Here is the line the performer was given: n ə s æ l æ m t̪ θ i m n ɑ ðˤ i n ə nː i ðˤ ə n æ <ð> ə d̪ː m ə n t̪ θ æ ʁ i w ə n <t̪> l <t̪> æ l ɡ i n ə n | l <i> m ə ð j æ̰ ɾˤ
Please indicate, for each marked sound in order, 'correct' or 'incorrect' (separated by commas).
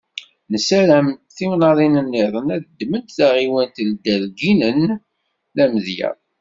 correct, correct, incorrect, incorrect